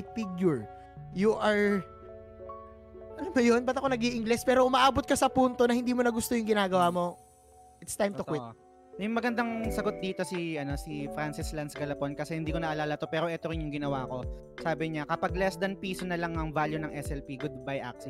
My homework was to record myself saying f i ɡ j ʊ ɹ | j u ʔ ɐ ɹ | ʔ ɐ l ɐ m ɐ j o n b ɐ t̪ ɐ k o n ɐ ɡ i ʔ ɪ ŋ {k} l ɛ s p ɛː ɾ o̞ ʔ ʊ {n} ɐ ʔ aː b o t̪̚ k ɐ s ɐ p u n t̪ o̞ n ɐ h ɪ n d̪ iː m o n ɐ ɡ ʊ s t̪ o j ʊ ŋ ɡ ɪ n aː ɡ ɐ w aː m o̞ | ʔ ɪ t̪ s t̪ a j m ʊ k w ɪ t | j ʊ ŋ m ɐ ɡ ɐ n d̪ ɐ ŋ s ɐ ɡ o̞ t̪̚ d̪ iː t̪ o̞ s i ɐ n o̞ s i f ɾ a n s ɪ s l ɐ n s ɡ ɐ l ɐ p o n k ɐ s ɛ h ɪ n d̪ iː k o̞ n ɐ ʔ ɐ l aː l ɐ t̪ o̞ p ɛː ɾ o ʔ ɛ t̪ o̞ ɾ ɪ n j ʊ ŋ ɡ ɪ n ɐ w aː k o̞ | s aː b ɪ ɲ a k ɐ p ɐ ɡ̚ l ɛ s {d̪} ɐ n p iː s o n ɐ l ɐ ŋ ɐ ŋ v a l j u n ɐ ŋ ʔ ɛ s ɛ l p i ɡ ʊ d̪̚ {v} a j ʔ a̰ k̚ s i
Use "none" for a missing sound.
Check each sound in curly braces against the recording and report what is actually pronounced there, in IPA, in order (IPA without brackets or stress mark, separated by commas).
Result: ɡ, m, d̪, b